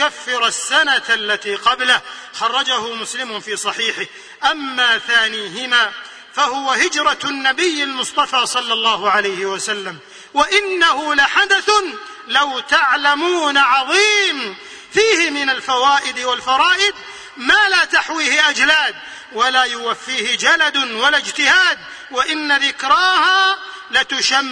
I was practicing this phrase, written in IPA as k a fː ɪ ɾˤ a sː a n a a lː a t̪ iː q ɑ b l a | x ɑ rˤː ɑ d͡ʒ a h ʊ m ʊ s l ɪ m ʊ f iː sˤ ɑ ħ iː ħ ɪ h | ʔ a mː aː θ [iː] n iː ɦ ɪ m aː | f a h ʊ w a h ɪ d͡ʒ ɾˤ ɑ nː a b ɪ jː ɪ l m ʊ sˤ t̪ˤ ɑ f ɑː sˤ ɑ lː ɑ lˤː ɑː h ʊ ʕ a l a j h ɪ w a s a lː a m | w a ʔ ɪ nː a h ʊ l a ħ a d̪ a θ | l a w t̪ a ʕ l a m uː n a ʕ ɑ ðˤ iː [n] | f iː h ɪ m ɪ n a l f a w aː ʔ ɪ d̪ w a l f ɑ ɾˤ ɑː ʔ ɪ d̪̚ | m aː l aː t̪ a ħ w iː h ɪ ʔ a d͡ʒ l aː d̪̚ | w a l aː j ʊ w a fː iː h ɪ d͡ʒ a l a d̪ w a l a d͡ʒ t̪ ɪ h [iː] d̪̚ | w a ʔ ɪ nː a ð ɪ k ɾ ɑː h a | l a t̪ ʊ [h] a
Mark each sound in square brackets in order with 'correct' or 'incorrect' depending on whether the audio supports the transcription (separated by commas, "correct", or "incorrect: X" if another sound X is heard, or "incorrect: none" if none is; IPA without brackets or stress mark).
incorrect: aː, incorrect: m, incorrect: aː, incorrect: ʃ